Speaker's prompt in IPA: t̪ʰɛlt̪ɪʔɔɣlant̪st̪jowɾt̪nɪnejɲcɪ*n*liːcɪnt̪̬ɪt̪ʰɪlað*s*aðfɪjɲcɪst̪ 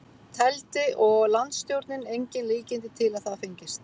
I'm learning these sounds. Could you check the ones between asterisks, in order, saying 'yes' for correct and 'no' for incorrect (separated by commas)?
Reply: yes, no